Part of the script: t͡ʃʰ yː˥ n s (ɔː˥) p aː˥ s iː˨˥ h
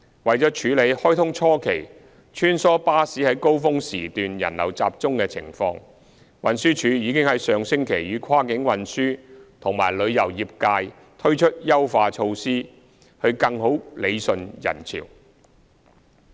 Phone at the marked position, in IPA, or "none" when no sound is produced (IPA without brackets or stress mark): ɔː˥